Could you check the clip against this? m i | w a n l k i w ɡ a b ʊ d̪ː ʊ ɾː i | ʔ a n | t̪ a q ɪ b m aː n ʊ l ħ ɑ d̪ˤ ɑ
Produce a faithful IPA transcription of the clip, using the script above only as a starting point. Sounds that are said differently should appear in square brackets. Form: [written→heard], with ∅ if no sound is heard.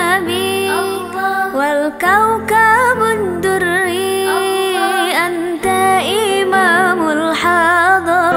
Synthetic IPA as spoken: [m→b] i | w a [n→∅] l k [i→a] w [ɡ→k] a b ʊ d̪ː ʊ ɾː i | ʔ a n | t̪ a [q→ʔ] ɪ [b→∅] m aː [n→m] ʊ l ħ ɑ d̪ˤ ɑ